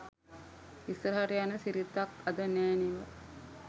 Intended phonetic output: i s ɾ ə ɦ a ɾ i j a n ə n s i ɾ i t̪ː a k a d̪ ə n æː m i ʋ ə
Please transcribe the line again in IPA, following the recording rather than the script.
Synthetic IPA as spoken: i s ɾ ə ɦ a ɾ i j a n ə s i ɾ i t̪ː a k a d̪ ə n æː n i ʋ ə